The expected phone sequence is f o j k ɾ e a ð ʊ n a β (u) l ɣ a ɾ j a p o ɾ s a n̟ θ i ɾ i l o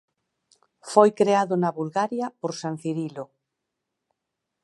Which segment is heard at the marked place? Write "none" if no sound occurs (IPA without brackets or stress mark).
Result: u